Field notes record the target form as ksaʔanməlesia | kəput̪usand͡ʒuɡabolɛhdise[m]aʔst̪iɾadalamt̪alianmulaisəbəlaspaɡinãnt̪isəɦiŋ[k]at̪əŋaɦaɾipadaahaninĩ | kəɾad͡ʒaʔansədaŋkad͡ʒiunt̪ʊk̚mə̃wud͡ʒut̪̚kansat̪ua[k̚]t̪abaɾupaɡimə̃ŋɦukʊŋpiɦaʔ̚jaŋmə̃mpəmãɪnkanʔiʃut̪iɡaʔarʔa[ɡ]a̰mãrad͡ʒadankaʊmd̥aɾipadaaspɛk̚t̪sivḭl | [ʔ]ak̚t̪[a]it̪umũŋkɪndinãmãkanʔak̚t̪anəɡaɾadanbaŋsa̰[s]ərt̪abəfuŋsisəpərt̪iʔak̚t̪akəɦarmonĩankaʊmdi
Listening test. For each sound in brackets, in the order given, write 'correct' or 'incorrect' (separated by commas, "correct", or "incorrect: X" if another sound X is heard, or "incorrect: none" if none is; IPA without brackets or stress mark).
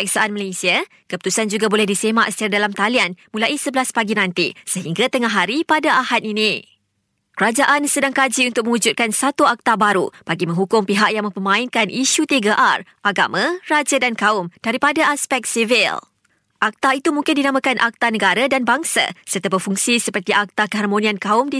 correct, incorrect: ɡ, correct, correct, correct, correct, correct